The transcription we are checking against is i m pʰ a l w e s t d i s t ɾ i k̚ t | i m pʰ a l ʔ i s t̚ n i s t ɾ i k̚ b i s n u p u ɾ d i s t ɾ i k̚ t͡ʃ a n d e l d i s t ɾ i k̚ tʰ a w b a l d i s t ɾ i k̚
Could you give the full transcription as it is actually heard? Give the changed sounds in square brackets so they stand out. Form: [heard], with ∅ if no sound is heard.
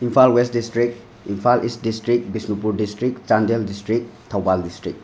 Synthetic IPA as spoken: i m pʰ a l w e s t d i s t ɾ i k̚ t | i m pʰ a l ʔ i s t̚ [d] i s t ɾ i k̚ b i s n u p u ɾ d i s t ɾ i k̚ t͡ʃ a n d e l d i s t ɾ i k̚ tʰ a w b a l d i s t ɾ i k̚